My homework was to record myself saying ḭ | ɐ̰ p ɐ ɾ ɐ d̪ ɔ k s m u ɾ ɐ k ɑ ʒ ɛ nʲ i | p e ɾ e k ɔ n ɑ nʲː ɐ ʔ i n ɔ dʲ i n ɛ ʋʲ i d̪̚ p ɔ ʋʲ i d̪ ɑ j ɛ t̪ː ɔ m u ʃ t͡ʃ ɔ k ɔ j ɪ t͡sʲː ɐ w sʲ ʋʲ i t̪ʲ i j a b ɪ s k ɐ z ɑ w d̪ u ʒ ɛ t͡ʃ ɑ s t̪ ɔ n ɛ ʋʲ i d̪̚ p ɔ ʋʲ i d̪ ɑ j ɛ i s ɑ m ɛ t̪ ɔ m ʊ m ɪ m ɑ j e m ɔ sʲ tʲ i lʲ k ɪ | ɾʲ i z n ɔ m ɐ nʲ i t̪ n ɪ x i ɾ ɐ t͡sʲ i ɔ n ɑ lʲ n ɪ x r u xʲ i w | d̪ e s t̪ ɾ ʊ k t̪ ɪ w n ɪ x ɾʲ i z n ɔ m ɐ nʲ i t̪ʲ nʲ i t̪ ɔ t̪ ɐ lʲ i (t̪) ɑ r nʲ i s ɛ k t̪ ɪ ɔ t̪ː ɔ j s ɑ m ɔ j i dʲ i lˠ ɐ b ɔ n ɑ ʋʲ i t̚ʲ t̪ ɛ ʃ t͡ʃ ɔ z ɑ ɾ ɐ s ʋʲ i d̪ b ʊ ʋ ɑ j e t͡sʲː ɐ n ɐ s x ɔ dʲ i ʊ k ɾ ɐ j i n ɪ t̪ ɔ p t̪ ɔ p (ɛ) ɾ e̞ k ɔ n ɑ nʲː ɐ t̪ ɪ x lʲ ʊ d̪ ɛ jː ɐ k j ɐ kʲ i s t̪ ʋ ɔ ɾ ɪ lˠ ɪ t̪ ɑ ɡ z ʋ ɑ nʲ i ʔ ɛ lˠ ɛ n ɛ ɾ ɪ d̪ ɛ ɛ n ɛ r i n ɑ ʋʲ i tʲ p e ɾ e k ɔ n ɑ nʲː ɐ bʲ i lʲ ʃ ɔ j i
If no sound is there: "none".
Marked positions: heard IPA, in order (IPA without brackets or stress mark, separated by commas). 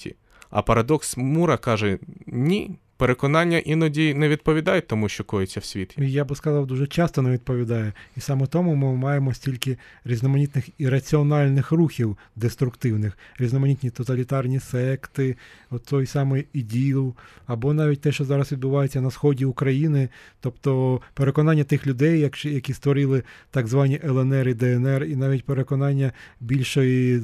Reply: t̪, e